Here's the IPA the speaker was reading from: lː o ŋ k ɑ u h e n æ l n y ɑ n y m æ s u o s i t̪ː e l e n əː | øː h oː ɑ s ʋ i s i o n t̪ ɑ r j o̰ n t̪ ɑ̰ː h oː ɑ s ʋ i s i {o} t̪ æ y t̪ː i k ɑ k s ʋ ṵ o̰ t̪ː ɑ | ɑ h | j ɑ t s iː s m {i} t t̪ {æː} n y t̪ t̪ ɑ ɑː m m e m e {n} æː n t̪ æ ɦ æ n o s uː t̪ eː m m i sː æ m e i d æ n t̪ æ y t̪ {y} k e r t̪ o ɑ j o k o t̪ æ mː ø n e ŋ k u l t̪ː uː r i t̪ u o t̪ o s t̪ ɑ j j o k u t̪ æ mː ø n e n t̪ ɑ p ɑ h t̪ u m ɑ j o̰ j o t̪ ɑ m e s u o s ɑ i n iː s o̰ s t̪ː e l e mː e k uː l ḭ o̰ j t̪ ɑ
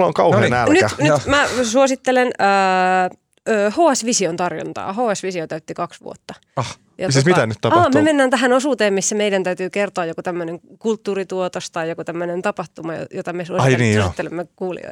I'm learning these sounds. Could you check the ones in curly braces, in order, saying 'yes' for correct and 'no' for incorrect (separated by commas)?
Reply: yes, yes, no, no, no